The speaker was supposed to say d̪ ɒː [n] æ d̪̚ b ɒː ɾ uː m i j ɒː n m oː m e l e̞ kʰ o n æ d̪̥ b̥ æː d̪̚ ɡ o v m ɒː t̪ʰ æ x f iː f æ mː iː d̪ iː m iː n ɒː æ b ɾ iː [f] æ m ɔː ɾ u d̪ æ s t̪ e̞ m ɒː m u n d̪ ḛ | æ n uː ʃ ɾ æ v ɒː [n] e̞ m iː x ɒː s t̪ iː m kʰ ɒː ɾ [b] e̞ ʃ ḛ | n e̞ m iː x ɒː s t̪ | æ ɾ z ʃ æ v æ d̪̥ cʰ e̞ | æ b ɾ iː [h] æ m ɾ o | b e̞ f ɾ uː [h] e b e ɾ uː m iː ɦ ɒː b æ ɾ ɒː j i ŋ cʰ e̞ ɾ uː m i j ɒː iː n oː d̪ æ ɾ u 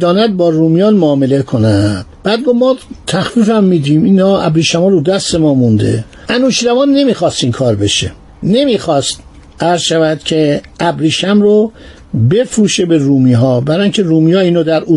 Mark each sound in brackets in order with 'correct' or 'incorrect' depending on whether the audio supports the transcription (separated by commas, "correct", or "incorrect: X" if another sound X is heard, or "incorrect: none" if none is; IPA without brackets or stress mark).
correct, incorrect: ʃ, incorrect: nː, correct, incorrect: ʃ, incorrect: ʃ